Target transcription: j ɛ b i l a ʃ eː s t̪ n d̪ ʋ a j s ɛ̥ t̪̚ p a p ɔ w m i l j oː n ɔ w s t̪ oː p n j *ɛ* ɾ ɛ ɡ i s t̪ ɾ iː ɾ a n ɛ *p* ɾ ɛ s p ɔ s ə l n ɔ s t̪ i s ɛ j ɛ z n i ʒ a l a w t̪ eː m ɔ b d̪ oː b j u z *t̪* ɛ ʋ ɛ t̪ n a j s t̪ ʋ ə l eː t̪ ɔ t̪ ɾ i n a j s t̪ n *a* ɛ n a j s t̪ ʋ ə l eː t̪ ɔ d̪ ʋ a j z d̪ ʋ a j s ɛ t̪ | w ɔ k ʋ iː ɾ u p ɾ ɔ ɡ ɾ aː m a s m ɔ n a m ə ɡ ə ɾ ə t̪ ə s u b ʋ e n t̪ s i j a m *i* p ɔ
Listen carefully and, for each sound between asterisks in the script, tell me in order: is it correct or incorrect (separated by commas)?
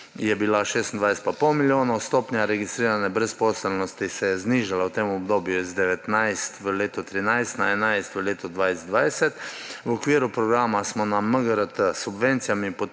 incorrect, incorrect, incorrect, correct, correct